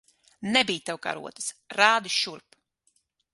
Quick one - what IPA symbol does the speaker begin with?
n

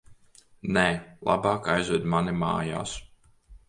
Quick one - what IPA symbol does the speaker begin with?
n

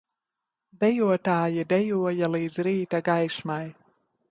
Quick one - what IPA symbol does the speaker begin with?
d̪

